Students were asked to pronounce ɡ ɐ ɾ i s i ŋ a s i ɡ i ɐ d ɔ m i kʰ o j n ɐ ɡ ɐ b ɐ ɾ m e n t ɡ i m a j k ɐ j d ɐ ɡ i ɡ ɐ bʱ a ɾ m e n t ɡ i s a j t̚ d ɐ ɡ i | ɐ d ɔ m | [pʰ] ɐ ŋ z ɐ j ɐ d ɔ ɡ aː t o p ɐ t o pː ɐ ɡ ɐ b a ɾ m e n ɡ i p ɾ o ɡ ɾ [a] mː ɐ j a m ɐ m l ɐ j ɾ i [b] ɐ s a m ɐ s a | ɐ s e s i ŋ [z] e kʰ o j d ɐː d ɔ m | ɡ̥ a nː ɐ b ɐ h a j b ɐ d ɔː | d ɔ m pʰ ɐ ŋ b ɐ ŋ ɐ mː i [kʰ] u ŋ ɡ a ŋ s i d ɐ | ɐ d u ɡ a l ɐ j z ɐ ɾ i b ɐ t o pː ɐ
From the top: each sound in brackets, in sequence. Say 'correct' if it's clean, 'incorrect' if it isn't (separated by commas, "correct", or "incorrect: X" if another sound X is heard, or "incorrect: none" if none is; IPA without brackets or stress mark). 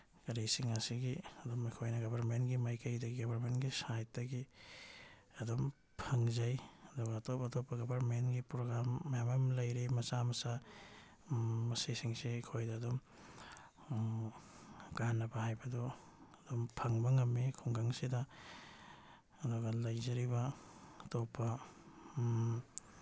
correct, correct, incorrect: m, incorrect: s, correct